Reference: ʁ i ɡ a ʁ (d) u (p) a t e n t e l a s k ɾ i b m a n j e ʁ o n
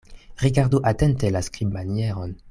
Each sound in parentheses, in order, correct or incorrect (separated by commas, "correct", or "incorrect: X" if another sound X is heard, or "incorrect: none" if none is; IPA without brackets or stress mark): correct, incorrect: ʔ